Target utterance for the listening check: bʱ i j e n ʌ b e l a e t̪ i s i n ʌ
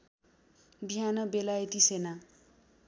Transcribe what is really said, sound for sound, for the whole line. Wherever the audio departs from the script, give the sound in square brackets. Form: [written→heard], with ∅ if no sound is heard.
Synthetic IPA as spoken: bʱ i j [e→a] n ʌ b e l a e t̪ i s [i→e] n [ʌ→a]